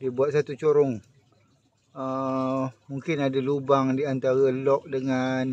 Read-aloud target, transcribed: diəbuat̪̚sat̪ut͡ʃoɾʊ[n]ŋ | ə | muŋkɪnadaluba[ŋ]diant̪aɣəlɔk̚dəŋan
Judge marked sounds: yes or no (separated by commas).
no, yes